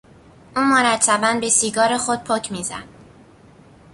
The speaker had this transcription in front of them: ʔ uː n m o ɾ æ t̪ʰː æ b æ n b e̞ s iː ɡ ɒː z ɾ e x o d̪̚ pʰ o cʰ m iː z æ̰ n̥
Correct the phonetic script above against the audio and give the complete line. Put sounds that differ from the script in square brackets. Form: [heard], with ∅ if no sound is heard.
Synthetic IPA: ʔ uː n m o ɾ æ t̪ʰː æ b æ n b e̞ s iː ɡ ɒː [∅] ɾ e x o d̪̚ pʰ o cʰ m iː z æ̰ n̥